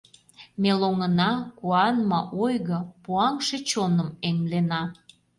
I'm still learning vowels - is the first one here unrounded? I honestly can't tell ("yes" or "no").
yes